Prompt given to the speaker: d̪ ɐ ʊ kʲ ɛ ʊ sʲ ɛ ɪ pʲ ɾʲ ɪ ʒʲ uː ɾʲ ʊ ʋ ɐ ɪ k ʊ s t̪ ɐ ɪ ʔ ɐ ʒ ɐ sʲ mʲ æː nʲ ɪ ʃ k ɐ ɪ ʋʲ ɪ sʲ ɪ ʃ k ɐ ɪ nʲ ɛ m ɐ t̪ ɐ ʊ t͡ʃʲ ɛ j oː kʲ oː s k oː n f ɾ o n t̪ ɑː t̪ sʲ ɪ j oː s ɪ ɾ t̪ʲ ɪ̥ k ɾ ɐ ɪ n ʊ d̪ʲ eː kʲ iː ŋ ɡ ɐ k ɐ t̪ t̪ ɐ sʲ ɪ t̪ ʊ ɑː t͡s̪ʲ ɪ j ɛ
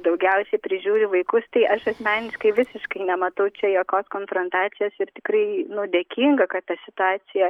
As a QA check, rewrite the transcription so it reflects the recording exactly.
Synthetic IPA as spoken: d̪ ɐ ʊ ɡʲ ɛ ʊ sʲ ɛ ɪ pʲ ɾʲ ɪ ʒʲ uː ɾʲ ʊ ʋ ɐ ɪ k ʊ s t̪ ɐ ɪ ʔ ɐ ʃ ɐ sʲ mʲ æː nʲ ɪ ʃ k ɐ ɪ ʋʲ ɪ sʲ ɪ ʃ k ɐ ɪ nʲ ɛ m ɐ t̪ ɐ ʊ t͡ʃʲ ɛ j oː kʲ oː s k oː n f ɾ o n t̪ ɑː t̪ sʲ ɪ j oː s ɪ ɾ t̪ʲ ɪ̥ k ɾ ɐ ɪ n ʊ d̪ʲ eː kʲ iː ŋ ɡ ɐ k ɐ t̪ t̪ ɐ sʲ ɪ t̪ ʊ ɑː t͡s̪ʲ ɪ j ɛ